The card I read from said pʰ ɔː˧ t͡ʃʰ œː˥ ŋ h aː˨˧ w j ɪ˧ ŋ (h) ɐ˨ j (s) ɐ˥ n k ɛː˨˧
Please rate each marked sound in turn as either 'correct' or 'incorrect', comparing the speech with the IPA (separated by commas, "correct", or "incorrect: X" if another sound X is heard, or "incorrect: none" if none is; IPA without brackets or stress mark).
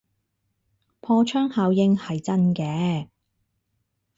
correct, incorrect: t͡s